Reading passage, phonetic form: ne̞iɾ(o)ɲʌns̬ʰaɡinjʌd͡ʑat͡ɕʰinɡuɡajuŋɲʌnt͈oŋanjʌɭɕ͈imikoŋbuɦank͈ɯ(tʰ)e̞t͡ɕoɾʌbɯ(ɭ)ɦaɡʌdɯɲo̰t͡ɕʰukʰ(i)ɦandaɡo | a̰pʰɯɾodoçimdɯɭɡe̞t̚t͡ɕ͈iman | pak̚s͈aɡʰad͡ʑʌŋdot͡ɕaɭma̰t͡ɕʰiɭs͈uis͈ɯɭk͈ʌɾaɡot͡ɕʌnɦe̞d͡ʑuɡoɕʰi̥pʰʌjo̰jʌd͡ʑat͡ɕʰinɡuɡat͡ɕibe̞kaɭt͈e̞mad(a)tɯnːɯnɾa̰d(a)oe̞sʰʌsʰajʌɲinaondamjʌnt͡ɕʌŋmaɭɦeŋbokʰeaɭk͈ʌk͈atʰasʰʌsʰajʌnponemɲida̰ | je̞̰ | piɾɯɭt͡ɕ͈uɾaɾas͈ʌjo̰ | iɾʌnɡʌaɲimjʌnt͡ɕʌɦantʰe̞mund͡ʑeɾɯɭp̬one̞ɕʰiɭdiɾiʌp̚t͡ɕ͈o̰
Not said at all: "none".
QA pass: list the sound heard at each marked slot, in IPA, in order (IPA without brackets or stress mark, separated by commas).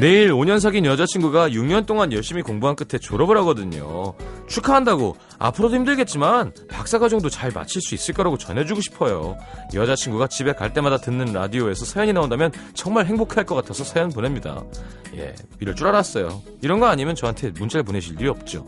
o, tʰ, ɾ, a, a, i